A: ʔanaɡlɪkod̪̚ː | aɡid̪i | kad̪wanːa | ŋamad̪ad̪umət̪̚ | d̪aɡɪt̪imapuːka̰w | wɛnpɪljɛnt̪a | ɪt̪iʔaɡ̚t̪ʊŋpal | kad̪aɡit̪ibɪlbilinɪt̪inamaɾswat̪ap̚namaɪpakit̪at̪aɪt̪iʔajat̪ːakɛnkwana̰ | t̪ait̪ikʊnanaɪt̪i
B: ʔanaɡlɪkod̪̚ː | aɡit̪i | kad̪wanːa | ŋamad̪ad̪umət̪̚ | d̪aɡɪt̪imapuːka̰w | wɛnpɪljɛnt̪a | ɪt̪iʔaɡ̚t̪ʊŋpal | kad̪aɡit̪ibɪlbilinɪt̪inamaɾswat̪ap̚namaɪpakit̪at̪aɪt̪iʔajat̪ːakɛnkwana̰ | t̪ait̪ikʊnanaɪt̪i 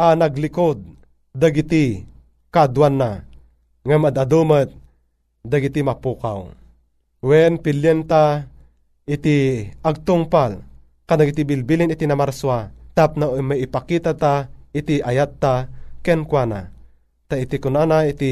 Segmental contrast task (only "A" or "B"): B